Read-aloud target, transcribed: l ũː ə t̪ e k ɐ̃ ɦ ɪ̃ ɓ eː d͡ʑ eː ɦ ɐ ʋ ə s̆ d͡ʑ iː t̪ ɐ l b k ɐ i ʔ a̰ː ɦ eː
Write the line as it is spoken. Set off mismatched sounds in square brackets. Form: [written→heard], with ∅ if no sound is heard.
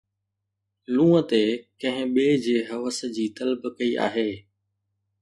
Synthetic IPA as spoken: l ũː ə t̪ e k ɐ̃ ɦ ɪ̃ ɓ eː d͡ʑ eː ɦ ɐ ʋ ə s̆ d͡ʑ iː t̪ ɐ l b k ɐ i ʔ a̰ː ɦ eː